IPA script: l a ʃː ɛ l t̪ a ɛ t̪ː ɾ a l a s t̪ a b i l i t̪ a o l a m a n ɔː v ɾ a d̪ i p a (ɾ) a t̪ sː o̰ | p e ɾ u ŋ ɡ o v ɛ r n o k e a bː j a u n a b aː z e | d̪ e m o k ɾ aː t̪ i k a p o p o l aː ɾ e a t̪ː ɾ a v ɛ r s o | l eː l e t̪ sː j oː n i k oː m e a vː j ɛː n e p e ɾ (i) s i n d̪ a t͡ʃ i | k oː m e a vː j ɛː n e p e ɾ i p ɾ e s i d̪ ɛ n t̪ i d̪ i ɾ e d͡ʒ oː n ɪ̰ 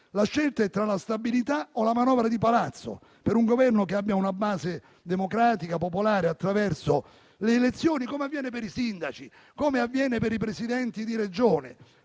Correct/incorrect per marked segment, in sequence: incorrect: l, correct

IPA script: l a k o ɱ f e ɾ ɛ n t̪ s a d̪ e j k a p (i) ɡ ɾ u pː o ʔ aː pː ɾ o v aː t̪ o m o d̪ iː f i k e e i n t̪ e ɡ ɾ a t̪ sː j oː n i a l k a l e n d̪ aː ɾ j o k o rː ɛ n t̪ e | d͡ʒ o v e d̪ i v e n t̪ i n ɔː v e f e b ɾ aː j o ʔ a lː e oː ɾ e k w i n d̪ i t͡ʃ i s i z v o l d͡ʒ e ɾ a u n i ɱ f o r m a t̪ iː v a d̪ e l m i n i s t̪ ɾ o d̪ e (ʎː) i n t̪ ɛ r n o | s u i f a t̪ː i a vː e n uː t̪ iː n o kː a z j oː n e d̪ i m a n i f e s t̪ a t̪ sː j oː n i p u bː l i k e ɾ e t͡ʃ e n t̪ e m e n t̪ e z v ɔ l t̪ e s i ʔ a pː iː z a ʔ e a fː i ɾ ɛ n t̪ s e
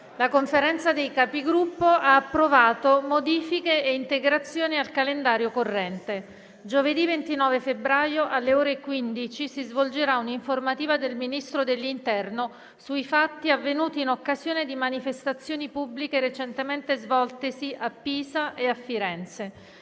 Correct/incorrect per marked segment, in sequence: correct, incorrect: lː

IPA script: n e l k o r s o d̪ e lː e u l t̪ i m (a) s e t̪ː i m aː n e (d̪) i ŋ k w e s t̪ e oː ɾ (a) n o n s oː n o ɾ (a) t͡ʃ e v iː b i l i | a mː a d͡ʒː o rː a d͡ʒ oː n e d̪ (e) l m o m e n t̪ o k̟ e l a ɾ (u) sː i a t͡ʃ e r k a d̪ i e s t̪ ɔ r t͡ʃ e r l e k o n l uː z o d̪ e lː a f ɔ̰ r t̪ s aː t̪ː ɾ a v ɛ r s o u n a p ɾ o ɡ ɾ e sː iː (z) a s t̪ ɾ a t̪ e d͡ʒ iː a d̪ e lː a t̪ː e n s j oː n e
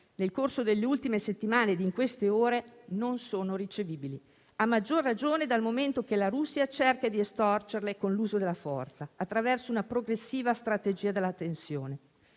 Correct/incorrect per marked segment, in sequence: incorrect: e, correct, incorrect: e, incorrect: i, incorrect: a, correct, incorrect: v

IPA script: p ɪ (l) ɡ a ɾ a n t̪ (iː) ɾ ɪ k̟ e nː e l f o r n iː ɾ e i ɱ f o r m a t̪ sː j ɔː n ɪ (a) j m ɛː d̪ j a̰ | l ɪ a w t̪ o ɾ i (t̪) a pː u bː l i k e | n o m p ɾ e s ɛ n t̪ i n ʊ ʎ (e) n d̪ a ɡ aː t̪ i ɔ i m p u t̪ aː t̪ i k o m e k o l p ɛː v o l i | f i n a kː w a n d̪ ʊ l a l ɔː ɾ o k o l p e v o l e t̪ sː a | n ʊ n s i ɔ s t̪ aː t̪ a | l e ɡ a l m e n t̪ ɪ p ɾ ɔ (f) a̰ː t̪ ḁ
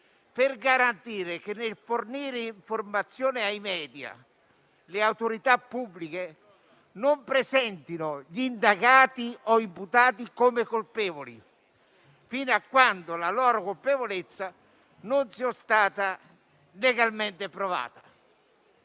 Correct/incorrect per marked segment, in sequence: incorrect: r, correct, correct, correct, incorrect: i, incorrect: v

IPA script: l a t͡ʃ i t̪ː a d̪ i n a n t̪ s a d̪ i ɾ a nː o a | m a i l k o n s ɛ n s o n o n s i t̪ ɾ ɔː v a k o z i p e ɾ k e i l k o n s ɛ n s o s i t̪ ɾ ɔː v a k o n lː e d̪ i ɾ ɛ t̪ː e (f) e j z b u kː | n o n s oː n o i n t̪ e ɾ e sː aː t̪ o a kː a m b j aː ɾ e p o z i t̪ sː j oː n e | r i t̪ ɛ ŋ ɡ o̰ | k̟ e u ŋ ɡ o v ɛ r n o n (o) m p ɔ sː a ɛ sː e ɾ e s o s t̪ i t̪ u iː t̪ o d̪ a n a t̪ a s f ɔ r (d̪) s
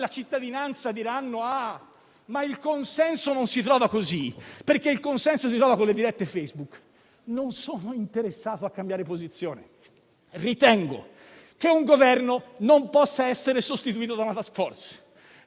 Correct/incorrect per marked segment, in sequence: correct, correct, incorrect: t̪

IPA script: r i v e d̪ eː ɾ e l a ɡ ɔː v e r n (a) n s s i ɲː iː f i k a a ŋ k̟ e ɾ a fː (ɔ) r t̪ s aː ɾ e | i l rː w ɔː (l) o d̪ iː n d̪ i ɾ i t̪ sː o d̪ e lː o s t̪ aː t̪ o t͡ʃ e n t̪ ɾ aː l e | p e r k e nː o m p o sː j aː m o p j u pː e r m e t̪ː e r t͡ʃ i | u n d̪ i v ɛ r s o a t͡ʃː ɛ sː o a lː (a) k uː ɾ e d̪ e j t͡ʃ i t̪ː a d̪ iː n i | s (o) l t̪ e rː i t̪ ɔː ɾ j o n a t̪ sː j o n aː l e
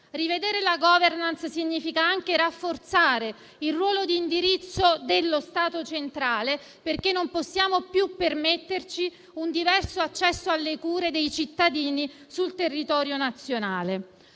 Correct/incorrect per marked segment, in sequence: correct, incorrect: o, correct, incorrect: e, incorrect: u

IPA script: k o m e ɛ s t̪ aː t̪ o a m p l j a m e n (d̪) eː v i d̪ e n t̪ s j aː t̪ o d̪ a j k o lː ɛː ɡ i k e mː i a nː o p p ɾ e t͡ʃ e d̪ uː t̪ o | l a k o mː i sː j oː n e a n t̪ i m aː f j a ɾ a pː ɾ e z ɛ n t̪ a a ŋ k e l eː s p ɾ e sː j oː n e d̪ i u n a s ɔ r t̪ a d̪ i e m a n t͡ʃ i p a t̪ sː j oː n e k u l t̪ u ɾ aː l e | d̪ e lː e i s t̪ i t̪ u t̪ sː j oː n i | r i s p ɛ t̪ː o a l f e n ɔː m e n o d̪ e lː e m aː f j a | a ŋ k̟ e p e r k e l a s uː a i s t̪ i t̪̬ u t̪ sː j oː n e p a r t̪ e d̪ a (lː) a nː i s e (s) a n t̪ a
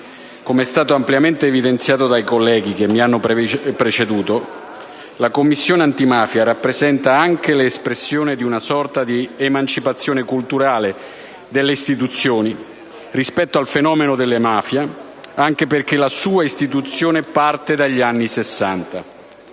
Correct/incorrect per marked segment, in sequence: incorrect: t̪, incorrect: ʎː, incorrect: sː

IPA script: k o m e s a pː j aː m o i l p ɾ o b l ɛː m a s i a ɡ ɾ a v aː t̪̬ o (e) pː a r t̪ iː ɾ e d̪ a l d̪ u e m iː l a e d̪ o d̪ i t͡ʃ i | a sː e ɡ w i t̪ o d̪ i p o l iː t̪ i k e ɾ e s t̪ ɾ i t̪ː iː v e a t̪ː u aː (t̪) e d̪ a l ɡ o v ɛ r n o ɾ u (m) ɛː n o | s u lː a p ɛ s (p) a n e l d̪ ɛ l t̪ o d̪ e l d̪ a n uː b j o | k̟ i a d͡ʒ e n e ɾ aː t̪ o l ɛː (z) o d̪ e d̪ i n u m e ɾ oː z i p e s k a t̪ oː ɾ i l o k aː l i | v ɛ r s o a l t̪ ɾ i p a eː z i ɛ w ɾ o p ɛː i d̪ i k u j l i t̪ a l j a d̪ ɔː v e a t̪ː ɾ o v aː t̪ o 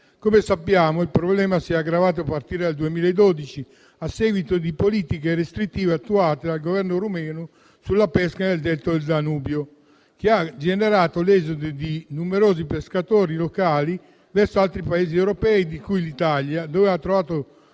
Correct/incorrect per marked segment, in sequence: incorrect: a, correct, correct, incorrect: k, correct

